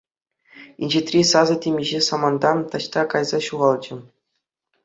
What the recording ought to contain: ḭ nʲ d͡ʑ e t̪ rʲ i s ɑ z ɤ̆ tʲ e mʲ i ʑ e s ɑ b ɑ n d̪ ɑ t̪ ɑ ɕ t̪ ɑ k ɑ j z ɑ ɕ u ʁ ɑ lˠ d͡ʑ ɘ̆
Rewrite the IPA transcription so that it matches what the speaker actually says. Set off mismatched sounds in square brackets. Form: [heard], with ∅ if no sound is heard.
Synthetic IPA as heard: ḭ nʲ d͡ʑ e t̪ rʲ i s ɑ z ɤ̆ tʲ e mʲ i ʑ e s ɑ [m] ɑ n d̪ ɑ t̪ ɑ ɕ t̪ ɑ k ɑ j z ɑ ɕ u ʁ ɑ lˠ d͡ʑ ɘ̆